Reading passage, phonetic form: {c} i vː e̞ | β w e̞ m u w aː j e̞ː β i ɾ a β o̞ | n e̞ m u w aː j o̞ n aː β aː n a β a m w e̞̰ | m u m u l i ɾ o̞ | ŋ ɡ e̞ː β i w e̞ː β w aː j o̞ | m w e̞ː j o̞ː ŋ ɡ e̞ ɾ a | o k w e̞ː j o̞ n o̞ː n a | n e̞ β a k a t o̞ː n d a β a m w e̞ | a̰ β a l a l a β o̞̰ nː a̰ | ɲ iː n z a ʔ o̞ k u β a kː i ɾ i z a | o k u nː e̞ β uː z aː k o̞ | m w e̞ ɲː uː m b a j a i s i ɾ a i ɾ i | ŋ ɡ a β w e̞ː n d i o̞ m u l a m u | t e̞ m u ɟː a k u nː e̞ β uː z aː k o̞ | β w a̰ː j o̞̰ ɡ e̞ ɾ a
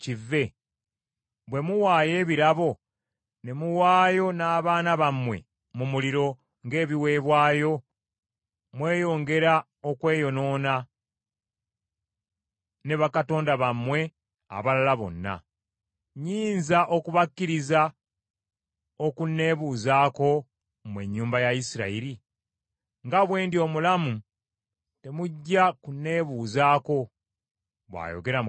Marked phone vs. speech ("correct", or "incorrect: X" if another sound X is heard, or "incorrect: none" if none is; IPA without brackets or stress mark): correct